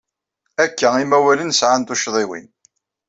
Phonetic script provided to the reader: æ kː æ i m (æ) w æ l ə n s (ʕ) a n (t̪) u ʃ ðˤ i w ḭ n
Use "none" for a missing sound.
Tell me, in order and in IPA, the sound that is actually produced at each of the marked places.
æ, ʕ, t̪

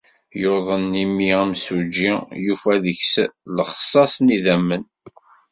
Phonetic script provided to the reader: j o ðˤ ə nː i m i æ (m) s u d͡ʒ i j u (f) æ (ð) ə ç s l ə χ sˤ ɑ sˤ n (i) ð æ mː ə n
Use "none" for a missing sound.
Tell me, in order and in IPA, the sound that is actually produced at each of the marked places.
m, f, ð, i

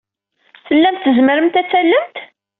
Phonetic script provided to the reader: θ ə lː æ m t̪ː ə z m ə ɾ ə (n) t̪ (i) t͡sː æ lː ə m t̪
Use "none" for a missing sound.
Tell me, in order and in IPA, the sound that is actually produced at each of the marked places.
m, æ

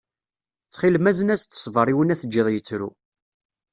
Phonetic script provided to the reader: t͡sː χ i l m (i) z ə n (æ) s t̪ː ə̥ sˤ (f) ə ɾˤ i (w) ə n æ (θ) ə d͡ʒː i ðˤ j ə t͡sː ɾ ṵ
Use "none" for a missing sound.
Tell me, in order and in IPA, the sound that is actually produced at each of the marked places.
æ, æ, v, w, θ

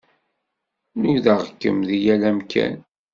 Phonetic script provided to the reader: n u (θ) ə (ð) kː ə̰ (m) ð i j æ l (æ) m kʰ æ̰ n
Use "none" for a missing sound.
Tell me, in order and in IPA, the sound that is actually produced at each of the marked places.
ð, ʁ, m, æ

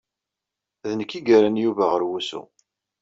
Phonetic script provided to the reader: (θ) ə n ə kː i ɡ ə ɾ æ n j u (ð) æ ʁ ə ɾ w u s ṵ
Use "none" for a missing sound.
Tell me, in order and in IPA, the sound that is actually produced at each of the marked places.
ð, v

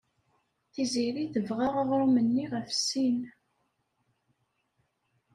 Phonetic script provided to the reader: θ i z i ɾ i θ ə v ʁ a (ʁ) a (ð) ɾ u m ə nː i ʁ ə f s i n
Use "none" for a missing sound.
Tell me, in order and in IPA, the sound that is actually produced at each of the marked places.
ʁ, ʁ

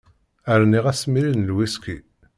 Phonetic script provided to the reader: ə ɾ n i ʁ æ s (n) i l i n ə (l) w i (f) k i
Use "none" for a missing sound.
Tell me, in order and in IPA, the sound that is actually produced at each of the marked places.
m, l, s

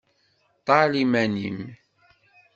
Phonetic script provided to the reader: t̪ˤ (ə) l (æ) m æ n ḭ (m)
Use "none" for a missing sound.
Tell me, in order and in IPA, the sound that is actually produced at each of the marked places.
ɑ, i, m

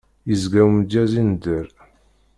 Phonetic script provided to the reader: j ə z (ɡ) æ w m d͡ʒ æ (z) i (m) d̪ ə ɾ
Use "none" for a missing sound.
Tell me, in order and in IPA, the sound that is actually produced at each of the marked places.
ɡ, z, n

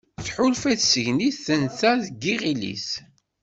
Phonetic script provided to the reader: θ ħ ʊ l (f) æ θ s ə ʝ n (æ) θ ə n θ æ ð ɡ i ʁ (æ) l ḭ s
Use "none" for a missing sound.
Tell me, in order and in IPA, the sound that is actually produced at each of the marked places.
f, i, i

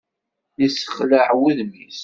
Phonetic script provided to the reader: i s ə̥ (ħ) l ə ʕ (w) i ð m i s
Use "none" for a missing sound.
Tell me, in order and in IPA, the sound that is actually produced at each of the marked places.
χ, w

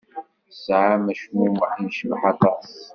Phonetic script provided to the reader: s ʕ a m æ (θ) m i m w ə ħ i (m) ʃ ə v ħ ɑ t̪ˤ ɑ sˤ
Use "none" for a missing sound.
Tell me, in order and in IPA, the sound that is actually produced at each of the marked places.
ʃ, n

